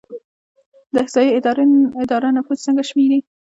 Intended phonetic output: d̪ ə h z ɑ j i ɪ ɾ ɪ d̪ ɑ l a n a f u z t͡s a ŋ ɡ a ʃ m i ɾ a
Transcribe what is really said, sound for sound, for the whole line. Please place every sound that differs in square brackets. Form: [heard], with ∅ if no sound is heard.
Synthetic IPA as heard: d̪ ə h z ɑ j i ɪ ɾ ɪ d̪ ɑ [ɾ] a n a f u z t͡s [ə] ŋ ɡ a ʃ m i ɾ [i]